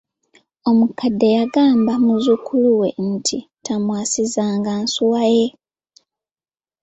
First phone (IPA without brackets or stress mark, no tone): o̞